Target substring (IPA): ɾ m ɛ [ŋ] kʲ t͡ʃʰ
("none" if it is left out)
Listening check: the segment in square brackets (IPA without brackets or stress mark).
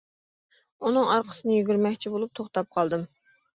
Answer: none